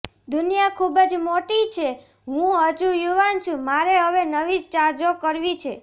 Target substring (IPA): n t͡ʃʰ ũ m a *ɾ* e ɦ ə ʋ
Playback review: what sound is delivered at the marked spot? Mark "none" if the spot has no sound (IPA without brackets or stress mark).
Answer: ɾ